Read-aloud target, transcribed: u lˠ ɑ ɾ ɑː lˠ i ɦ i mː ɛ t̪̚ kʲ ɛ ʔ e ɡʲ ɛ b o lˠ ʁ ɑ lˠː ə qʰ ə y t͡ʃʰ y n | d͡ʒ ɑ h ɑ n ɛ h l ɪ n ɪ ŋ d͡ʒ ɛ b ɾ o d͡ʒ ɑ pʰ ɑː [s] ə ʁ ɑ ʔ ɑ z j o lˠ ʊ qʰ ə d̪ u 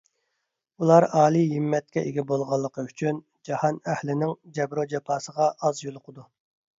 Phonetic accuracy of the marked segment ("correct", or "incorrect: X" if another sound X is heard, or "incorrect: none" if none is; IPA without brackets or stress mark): correct